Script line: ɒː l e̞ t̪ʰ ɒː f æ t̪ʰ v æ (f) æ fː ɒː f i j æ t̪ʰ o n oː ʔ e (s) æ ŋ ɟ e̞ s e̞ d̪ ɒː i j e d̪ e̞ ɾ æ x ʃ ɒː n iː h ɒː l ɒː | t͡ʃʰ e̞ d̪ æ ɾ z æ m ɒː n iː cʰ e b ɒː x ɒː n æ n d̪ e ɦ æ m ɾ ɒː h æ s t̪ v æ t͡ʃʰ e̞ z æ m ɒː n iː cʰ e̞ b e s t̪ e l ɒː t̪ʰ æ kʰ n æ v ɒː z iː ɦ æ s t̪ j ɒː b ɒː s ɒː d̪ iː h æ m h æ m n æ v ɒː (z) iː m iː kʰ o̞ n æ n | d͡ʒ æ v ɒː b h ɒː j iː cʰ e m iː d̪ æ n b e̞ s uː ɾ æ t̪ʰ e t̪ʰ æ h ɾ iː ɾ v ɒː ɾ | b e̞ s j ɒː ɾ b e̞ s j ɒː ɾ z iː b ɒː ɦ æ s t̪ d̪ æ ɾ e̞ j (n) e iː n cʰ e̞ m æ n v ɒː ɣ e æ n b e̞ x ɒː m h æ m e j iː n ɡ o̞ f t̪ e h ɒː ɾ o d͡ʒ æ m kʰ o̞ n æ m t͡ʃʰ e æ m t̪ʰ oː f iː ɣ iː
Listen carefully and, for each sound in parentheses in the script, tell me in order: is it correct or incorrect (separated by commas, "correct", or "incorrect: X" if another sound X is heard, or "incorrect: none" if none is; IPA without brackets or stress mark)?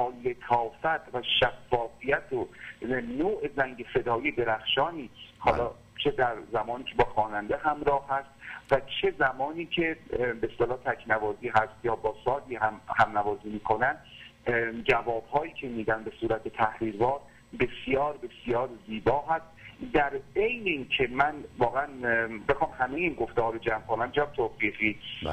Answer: incorrect: ʃ, incorrect: z, correct, correct